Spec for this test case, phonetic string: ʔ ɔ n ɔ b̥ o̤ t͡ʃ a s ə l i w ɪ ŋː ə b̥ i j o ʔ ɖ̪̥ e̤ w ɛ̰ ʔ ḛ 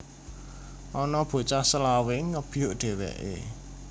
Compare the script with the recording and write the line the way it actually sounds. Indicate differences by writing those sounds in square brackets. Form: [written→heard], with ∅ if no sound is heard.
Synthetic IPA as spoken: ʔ ɔ n ɔ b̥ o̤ t͡ʃ a s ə l [i→a] w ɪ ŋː ə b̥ i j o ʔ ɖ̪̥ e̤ w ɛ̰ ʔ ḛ